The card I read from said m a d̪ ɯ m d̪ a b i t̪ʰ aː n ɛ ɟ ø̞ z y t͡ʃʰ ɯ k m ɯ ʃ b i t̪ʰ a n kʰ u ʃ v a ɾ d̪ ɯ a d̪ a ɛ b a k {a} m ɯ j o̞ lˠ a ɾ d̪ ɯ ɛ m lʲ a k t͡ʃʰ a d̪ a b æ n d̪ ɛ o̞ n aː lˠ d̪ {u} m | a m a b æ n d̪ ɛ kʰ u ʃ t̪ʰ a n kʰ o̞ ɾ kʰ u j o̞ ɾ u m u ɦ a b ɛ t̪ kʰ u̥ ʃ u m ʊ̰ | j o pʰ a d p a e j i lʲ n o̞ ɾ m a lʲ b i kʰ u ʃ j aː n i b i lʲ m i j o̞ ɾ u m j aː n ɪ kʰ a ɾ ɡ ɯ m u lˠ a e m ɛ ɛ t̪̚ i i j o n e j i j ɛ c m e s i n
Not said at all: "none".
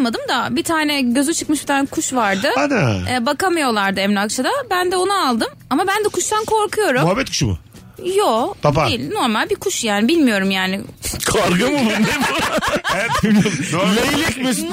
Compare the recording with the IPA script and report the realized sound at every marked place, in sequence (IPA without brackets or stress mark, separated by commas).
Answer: a, ɯ